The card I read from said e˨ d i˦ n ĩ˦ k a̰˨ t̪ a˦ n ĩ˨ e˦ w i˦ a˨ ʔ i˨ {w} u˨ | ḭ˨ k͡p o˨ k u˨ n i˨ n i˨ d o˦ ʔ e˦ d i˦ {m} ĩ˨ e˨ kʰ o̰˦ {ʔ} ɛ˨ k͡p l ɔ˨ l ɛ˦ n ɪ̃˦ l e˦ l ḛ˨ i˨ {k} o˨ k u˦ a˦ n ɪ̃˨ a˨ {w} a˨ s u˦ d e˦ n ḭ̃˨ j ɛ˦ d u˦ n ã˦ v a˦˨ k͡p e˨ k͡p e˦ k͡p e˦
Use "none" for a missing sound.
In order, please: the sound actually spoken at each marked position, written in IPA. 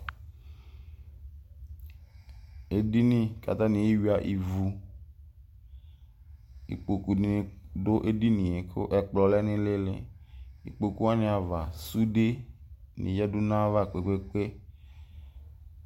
v, n, ʔ, k͡p, v

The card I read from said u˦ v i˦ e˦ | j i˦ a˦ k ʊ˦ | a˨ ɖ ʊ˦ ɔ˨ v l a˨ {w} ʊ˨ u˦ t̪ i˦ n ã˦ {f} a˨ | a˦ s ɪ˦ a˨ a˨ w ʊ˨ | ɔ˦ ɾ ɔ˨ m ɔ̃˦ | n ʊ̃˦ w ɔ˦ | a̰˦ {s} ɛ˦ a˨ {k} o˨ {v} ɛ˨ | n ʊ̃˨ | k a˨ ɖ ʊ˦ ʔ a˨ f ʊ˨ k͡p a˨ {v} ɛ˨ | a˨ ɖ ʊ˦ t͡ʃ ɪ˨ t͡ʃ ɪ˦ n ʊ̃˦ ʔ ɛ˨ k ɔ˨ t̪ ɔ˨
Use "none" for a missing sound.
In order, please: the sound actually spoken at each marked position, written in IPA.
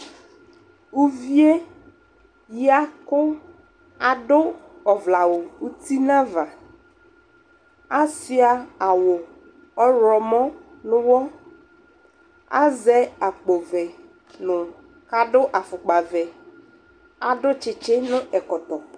w, v, z, k͡p, v, v

